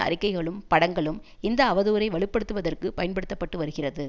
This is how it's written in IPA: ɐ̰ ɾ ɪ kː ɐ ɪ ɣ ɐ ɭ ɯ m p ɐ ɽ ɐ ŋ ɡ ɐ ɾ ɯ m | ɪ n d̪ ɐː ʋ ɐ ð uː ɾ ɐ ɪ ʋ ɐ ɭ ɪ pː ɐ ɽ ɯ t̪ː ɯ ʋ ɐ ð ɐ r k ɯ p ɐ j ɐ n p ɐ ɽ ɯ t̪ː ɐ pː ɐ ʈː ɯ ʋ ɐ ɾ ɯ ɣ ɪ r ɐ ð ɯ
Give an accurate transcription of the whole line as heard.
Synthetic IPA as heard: ɐ̰ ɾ ɪ kː ɐ ɪ ɣ ɐ ɭ ɯ m p ɐ ɽ ɐ ŋ ɡ ɐ ɭ ɯ m | ɪ n d̪ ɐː ʋ ɐ ð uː ɾ ɐ ɪ ʋ ɐ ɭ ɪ pː ɐ ɽ ɯ t̪ː ɯ ʋ ɐ ð ɐ r k ɯ p ɐ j ɐ n p ɐ ɽ ɯ t̪ː ɐ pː ɐ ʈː ɯ ʋ ɐ ɾ ɯ ɣ ɪ r ɐ ð ɯ